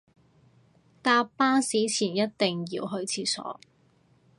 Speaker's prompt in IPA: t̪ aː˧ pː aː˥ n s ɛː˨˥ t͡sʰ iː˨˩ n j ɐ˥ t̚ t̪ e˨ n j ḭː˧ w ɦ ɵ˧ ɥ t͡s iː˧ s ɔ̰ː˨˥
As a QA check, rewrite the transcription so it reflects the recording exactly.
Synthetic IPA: t̪ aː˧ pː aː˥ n s iː˨˥ t͡sʰ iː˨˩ n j ɐ˥ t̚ t̪ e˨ ŋ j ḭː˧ w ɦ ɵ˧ ɥ t͡sʰ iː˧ s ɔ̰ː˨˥